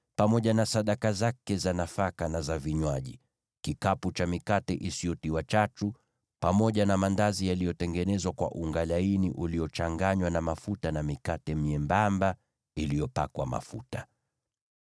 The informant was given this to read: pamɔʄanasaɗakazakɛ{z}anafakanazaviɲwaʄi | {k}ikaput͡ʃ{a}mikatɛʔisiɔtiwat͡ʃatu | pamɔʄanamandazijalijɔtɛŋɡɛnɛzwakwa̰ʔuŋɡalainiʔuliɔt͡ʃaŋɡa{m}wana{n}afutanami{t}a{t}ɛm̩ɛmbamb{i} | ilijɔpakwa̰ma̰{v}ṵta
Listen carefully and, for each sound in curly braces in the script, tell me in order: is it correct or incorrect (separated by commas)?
correct, correct, correct, incorrect, incorrect, incorrect, correct, incorrect, incorrect